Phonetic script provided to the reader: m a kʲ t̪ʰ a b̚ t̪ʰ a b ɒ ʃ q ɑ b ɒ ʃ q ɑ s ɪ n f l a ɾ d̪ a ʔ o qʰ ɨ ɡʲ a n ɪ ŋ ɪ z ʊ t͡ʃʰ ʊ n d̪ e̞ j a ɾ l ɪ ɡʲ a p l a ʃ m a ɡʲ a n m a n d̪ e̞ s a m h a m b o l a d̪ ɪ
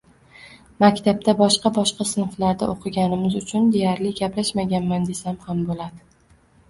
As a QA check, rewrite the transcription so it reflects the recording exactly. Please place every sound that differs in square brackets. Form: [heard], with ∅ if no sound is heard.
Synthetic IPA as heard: m a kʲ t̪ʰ a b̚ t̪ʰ a b ɒ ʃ q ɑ b ɒ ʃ q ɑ s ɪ n f l a ɾ d̪ a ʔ o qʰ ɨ ɡʲ a n ɪ [m] ɪ z ʊ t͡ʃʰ ʊ n d̪ e̞ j a ɾ l ɪ ɡʲ a p l a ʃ m a ɡʲ a n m a n d̪ e̞ s a m h a m b o l a d̪ ɪ